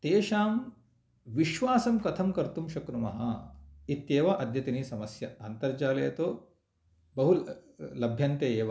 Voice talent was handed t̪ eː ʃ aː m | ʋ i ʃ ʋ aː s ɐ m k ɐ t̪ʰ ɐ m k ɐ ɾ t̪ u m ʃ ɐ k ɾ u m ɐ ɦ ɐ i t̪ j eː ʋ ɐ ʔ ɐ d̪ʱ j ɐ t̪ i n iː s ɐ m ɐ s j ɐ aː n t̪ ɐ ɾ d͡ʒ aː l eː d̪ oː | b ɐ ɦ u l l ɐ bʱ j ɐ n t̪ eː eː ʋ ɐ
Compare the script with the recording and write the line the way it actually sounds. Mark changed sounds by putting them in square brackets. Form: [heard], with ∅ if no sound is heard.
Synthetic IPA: t̪ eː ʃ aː m | ʋ i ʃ ʋ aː s ɐ m k ɐ t̪ʰ ɐ m k ɐ ɾ t̪ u m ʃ ɐ k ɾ u m ɐ ɦ ɐ i t̪ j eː ʋ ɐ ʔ ɐ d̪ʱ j ɐ t̪ i n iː s ɐ m ɐ s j ɐ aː n t̪ ɐ ɾ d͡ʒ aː l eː [t̪] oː | b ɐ ɦ u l l ɐ bʱ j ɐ n t̪ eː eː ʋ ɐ